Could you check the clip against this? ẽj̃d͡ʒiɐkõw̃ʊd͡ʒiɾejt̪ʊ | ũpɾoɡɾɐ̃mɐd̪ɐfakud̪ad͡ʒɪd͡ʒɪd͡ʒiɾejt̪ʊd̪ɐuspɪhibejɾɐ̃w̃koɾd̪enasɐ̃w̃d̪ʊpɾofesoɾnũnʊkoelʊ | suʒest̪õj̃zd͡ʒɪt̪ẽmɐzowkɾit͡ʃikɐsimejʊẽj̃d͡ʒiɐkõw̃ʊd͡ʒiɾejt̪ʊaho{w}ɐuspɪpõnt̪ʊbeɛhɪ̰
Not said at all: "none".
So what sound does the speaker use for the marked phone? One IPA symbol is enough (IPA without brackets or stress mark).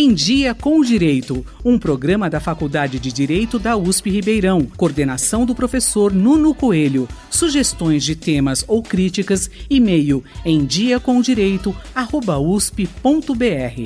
b